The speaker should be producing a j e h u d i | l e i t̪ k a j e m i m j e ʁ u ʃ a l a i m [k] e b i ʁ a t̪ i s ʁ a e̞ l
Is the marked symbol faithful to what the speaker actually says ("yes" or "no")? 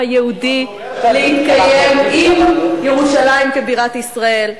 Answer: yes